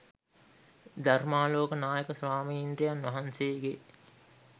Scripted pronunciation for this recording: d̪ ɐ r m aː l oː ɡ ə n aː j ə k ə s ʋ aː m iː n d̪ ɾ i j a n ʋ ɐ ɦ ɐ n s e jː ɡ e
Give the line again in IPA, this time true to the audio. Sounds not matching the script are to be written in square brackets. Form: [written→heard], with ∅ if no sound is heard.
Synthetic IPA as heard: d̪ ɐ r m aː l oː [ɡ→k] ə n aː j ə k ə s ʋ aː m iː n d̪ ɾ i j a n ʋ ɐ ɦ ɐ n s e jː ɡ e